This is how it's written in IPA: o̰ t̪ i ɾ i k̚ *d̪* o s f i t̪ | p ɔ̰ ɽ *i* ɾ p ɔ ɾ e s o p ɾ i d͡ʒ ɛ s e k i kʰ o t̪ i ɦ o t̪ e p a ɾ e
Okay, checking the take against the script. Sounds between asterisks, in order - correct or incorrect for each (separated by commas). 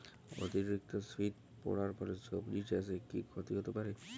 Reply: incorrect, incorrect